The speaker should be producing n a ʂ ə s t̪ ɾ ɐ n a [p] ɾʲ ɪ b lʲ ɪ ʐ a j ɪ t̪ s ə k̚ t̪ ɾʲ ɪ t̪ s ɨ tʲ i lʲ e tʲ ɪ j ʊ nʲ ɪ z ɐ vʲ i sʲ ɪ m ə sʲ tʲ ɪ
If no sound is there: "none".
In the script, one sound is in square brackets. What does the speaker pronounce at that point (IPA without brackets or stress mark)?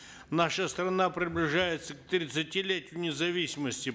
p